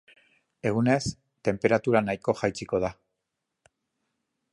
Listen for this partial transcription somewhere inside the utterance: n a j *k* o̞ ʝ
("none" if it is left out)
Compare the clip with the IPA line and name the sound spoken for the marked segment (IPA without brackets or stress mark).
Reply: k